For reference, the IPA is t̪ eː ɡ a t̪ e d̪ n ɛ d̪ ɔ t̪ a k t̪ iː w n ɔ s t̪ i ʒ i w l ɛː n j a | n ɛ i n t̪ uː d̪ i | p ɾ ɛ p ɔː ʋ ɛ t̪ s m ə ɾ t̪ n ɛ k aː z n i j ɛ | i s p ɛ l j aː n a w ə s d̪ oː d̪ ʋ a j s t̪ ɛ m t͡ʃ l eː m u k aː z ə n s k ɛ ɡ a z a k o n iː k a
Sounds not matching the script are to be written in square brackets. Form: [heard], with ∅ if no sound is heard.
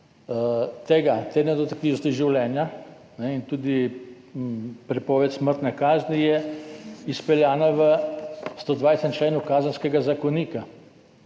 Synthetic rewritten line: t̪ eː ɡ a t̪ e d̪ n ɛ d̪ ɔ t̪ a k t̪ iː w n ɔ s t̪ i ʒ i w l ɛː n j a | n ɛ i n t̪ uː d̪ i | p ɾ ɛ p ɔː ʋ ɛ t̪ s m ə ɾ t̪ n ɛ k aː z n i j ɛ | i s p ɛ l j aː n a [ʋ] ə s [t̪] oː d̪ ʋ a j s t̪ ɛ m t͡ʃ l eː [n] u k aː z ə n s k ɛ ɡ a z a k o n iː k a